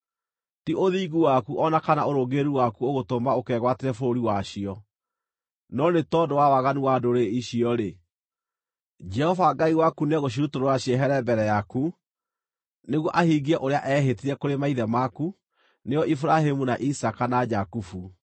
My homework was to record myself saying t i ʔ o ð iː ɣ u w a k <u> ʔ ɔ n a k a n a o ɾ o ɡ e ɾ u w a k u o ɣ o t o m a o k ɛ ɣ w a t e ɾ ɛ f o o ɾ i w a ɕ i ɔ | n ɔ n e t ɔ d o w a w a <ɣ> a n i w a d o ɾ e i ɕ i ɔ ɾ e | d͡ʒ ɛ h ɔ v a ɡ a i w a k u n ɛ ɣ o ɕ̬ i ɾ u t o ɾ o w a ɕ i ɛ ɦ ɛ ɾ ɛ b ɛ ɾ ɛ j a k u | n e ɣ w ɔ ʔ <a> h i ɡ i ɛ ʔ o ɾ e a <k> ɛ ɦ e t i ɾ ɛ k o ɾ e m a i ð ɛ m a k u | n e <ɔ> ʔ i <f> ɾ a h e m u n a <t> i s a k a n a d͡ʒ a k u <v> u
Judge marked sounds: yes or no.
yes, yes, yes, no, yes, yes, no, no

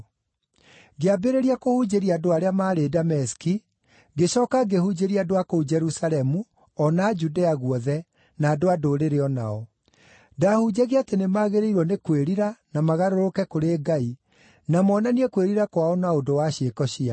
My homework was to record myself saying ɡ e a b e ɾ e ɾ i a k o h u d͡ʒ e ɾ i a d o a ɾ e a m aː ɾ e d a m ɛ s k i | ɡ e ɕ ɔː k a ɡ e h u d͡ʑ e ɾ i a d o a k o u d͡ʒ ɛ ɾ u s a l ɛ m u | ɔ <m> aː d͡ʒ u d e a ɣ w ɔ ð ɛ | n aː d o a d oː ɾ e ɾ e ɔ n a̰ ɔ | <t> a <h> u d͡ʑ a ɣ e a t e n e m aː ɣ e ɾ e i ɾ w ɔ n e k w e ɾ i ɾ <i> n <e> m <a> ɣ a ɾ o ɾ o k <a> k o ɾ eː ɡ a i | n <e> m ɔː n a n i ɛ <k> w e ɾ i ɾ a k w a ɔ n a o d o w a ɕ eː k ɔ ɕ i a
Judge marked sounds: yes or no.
no, no, yes, no, no, yes, no, no, yes

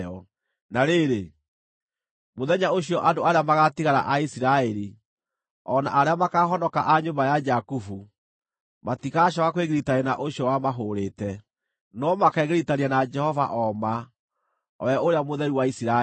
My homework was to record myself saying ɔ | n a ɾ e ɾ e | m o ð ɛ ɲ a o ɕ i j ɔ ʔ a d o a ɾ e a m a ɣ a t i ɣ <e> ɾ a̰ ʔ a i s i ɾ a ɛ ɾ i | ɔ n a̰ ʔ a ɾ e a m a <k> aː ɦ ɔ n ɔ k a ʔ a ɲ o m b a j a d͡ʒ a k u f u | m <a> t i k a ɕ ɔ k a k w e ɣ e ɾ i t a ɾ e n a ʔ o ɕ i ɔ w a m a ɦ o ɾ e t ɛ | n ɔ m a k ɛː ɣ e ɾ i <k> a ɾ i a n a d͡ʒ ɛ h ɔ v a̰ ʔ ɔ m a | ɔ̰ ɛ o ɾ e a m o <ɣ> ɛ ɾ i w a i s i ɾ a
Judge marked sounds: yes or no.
no, yes, yes, no, no

